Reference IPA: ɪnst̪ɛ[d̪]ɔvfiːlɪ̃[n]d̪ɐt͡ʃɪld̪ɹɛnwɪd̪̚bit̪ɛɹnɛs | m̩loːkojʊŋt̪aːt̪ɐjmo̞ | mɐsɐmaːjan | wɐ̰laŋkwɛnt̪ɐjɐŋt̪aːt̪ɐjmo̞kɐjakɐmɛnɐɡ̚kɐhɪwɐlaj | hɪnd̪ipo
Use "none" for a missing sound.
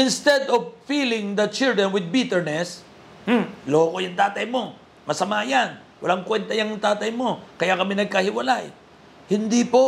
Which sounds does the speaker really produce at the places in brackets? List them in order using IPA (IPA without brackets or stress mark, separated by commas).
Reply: d̪, ŋ